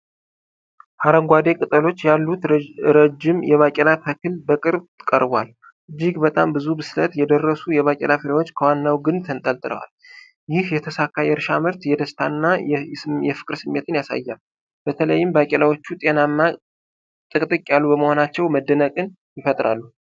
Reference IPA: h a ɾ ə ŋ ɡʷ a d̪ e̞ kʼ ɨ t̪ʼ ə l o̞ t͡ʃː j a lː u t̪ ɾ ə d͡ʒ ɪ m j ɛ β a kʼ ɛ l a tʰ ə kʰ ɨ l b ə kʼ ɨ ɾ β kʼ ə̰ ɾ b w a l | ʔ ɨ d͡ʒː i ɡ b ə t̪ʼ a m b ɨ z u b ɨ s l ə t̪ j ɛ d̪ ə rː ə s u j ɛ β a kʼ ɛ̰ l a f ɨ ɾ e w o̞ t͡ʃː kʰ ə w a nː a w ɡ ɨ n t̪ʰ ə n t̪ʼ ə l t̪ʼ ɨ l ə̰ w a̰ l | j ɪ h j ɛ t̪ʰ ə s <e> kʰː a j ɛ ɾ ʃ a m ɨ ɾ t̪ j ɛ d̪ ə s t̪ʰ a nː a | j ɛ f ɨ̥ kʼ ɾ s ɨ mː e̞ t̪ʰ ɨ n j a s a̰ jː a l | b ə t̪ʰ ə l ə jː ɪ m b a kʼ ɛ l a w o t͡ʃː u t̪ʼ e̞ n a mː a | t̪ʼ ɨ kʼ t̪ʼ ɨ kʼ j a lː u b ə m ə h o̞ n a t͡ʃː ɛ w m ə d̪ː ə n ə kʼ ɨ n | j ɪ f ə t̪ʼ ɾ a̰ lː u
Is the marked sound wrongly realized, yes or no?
yes